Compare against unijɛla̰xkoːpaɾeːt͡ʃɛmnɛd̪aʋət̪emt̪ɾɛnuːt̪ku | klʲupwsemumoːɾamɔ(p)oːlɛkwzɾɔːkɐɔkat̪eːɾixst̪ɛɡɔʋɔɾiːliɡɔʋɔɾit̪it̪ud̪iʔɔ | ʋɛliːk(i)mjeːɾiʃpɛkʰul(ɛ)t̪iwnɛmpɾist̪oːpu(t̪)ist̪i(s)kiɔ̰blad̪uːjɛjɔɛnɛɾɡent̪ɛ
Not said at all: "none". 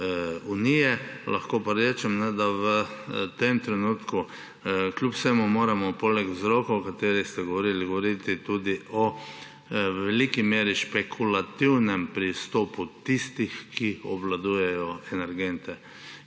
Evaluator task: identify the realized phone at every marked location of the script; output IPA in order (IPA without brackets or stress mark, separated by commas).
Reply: p, i, a, t̪, x